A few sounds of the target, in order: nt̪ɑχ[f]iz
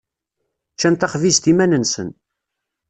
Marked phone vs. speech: incorrect: v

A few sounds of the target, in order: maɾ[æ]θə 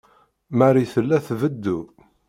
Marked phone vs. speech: incorrect: i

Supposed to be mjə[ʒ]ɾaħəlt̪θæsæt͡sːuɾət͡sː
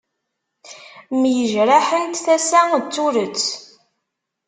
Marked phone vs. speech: correct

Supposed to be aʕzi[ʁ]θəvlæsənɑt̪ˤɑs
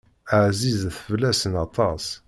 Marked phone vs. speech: incorrect: z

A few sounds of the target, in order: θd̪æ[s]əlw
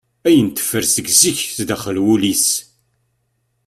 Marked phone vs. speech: incorrect: χ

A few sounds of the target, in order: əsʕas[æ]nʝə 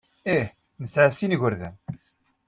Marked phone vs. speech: incorrect: i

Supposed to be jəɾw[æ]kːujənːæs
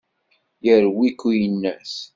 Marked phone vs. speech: incorrect: i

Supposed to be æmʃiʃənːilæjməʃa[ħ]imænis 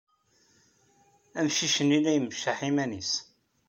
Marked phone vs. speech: correct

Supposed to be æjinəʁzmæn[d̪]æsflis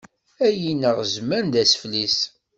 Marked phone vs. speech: correct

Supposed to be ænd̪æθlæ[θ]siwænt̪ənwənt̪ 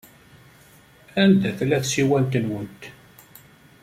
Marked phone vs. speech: correct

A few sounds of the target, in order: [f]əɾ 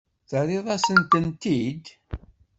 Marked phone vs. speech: incorrect: θ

